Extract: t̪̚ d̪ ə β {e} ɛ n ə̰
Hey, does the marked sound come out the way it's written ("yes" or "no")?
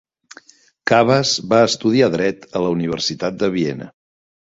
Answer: no